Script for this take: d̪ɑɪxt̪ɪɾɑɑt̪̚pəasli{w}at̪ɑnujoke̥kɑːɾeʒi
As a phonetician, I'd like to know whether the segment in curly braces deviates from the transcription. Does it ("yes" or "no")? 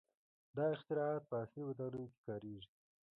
no